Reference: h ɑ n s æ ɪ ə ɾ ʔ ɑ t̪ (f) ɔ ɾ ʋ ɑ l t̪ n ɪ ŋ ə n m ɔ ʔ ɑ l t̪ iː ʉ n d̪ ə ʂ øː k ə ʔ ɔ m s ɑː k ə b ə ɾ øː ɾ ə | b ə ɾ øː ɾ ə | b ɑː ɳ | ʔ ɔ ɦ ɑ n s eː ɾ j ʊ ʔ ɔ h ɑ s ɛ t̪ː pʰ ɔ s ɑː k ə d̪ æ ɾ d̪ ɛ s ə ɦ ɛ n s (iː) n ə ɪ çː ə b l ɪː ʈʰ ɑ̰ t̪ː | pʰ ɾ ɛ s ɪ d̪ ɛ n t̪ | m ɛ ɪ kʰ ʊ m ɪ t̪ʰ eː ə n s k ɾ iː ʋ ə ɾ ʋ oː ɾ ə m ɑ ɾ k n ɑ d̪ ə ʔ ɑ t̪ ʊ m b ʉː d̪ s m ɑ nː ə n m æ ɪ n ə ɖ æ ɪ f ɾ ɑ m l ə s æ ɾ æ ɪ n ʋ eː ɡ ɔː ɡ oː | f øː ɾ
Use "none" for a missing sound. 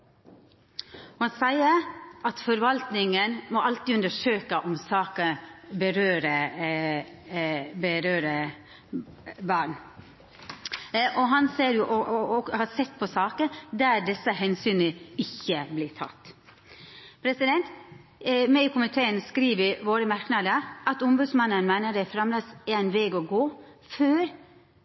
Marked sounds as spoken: f, yː

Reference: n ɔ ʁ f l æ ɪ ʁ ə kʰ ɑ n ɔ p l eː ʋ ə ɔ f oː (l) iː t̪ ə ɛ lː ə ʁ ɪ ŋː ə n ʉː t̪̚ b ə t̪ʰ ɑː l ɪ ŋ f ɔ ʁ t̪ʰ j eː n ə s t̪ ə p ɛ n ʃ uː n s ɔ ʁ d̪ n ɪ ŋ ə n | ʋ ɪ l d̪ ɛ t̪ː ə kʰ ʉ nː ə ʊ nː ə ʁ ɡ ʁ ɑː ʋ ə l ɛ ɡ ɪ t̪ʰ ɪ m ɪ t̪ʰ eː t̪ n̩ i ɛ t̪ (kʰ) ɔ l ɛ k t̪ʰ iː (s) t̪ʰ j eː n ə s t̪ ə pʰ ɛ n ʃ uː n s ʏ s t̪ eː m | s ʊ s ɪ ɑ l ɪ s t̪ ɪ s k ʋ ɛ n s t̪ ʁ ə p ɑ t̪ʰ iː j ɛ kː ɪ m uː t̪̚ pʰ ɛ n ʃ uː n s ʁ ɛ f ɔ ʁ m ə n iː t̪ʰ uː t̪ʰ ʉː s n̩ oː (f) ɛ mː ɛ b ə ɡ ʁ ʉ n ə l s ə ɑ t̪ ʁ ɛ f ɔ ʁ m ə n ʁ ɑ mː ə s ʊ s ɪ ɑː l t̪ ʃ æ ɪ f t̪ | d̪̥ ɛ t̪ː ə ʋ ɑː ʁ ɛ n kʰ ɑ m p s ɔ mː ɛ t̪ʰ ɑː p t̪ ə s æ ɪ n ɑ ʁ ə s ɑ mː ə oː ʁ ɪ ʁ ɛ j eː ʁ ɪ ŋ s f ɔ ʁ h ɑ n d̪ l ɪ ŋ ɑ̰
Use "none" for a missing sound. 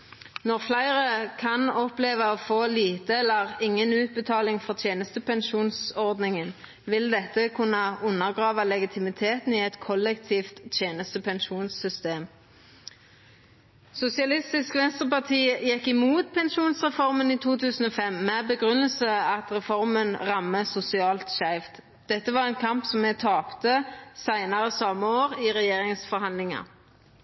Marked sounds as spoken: l, kʰ, f, f

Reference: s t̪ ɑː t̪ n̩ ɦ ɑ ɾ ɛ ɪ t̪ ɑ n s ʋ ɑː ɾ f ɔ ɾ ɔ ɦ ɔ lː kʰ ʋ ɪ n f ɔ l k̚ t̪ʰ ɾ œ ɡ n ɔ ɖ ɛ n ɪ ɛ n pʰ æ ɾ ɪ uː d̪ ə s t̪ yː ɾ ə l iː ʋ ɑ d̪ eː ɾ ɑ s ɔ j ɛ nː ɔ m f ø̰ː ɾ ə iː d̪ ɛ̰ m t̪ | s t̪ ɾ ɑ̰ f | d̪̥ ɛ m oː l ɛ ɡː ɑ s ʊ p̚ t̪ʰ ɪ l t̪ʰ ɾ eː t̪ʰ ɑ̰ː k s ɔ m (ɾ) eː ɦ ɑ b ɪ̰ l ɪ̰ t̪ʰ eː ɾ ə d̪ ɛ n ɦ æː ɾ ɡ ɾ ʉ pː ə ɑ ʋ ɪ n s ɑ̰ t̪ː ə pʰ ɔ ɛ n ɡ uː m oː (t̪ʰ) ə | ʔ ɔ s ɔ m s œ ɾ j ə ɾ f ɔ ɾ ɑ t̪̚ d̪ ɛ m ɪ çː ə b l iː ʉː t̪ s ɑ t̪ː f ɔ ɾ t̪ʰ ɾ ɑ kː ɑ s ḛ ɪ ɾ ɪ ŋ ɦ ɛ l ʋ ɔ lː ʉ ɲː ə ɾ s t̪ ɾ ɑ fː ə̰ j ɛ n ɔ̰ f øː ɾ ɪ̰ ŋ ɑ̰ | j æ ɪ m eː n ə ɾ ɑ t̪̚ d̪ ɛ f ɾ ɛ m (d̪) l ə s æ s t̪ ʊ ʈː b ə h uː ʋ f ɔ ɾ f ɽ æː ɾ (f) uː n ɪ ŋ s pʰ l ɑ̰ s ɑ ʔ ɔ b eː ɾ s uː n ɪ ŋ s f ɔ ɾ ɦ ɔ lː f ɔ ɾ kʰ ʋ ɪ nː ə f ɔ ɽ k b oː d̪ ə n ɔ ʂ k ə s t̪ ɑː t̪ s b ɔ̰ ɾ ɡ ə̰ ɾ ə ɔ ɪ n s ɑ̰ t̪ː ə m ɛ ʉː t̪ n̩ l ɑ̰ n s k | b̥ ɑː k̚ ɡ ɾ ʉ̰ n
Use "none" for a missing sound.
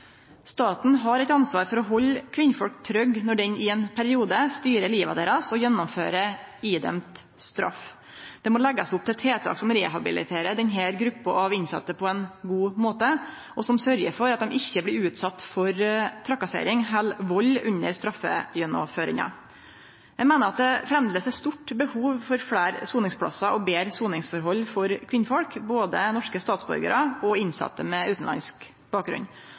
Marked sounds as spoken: ɾ, t̪, d̪, s

